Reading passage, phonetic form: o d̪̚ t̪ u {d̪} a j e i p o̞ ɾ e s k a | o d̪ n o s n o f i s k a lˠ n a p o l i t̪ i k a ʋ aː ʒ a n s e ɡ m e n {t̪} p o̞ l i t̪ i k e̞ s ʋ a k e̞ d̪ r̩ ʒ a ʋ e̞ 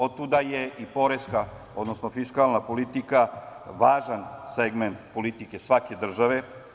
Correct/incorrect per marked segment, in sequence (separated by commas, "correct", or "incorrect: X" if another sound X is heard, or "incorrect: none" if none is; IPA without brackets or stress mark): correct, correct